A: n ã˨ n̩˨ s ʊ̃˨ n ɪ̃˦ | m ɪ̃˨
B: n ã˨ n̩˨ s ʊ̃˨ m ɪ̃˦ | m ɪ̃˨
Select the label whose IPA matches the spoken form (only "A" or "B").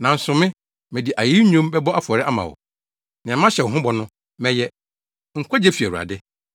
B